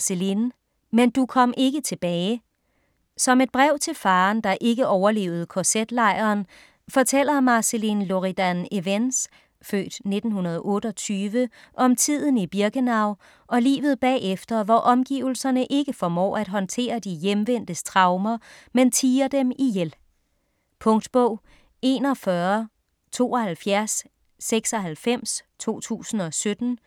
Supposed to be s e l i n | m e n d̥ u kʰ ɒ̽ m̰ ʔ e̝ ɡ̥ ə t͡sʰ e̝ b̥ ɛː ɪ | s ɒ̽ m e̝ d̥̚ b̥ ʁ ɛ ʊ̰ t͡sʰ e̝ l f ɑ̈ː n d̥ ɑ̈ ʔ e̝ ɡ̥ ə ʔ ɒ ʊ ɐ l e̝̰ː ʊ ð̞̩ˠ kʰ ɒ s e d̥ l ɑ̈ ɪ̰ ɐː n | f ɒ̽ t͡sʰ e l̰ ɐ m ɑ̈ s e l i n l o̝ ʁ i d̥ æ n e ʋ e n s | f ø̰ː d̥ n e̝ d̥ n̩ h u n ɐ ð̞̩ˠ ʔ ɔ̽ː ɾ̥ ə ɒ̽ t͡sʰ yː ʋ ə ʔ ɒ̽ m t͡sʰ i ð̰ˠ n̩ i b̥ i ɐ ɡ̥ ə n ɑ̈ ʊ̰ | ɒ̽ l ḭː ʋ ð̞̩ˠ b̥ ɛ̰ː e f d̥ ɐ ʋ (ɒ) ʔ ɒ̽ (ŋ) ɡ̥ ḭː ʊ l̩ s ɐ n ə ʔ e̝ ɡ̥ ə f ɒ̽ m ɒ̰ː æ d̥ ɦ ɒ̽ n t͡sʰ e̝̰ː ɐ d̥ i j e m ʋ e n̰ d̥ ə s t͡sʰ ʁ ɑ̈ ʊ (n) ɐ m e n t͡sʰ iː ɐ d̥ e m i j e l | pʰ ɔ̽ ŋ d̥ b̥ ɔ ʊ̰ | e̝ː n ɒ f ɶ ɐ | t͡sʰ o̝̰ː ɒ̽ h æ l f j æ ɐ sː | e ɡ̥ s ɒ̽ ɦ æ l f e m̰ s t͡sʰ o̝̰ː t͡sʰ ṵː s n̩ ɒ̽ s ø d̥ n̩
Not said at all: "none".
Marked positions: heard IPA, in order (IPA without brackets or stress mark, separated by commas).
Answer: ɒ, m, m